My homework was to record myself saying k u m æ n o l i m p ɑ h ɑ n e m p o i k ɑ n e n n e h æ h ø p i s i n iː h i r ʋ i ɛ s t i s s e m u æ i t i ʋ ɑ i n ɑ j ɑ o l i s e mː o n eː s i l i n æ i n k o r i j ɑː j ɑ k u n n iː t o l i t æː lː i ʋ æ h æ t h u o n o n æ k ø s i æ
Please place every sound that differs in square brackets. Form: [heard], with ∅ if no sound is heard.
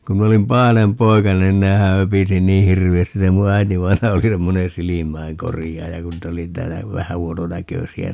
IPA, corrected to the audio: k u m [i] n o l i m p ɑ h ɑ n e m p o i k ɑ n e n n e h æ h ø p i s i n iː h i r ʋ i [æ] s t i s s e m u æ i t i ʋ ɑ i n ɑ j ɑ o l i s e mː o n eː s i l i [m] æ i [ŋ] k o r i j ɑː j ɑ k u n n iː t o l i t æː lː [æ] ʋ æ h æ [∅] h u o n o n æ k ø s i æ